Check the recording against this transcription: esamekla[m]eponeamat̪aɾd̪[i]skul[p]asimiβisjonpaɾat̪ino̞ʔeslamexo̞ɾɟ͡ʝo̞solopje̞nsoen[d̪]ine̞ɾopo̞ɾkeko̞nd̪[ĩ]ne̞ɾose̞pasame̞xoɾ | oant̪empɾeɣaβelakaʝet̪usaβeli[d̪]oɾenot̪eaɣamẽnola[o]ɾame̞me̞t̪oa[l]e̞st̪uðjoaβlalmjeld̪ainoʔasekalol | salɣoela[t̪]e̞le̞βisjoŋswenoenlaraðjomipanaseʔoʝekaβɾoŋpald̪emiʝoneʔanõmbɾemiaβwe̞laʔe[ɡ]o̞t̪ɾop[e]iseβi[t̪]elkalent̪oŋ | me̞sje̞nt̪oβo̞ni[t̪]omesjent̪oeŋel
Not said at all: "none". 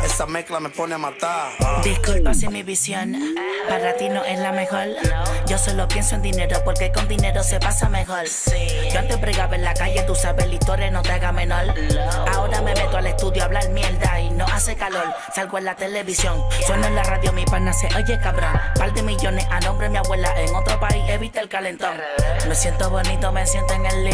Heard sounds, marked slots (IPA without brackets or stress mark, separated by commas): m, i, p, d̪, i, t̪, o, l, t̪, ŋ, a, t̪, t̪